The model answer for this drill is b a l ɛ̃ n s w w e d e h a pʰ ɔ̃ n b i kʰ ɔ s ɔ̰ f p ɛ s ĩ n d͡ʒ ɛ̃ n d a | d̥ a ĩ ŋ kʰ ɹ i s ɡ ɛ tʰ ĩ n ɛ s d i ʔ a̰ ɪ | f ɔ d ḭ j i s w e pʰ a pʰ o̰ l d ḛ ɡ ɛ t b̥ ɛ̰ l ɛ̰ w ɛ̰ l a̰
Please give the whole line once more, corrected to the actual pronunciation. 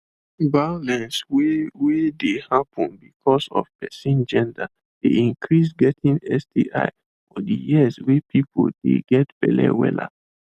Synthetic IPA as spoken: b a l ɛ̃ n s w w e d e h a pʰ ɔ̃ n b i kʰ ɔ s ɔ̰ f p ɛ s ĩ n d͡ʒ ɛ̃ n d a | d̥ e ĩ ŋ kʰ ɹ i s ɡ ɛ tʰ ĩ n ɛ s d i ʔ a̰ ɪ | f ɔ d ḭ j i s w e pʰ i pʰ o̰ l d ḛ ɡ ɛ t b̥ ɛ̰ l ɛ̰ w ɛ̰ l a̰